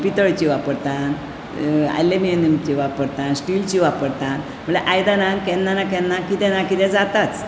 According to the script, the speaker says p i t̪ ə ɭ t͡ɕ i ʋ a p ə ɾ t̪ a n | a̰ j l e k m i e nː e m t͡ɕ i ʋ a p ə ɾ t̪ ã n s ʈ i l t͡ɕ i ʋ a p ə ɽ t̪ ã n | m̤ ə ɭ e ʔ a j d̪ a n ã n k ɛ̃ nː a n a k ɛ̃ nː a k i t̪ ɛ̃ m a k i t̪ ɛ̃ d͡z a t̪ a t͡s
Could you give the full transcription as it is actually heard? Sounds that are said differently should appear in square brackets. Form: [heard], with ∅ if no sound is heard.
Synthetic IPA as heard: p i t̪ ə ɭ t͡ɕ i ʋ a p ə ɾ t̪ a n | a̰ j l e [∅] m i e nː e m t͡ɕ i ʋ a p ə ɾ t̪ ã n s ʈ i l t͡ɕ i ʋ a p ə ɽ t̪ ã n | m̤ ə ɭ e ʔ a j d̪ a n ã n k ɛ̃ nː a n a k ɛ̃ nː a k i t̪ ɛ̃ [n] a k i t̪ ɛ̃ d͡z a t̪ a t͡s